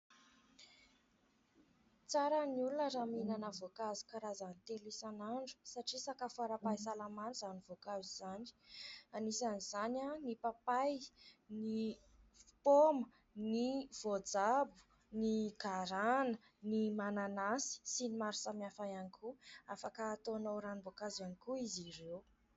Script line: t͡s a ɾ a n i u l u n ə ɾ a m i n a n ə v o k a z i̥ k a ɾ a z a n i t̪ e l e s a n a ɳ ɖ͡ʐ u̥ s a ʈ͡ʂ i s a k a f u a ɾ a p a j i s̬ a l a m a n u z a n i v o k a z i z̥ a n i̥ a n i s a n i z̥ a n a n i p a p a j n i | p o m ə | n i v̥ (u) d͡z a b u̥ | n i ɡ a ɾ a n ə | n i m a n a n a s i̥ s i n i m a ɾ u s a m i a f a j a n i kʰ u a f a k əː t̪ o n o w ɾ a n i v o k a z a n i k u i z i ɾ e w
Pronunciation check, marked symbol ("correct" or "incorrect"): incorrect